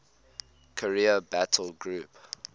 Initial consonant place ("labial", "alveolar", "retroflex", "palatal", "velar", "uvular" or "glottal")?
velar